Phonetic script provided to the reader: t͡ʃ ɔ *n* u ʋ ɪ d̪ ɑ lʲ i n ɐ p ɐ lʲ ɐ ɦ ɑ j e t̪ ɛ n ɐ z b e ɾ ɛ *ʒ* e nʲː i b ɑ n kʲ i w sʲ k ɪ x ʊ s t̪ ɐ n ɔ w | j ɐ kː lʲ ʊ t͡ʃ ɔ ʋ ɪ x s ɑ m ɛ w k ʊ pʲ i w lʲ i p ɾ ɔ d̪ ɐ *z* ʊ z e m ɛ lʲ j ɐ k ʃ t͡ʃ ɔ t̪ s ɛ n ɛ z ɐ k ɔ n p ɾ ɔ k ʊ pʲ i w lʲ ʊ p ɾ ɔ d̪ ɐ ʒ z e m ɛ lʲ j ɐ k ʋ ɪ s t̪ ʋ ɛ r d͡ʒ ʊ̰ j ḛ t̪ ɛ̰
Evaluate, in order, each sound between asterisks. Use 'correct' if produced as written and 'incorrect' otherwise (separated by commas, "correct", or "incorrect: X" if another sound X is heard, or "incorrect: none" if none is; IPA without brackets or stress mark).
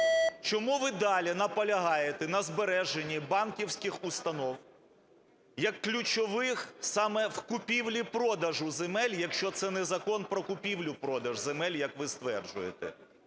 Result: incorrect: m, correct, incorrect: ʒ